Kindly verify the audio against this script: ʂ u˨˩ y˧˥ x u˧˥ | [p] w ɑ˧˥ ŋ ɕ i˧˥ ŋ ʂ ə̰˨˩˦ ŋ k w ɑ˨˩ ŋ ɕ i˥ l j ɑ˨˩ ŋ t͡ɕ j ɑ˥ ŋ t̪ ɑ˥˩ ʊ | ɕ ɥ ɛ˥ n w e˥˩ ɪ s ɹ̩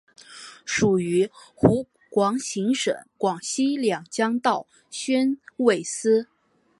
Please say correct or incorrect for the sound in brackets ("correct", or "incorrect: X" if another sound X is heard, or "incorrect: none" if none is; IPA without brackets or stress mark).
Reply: incorrect: k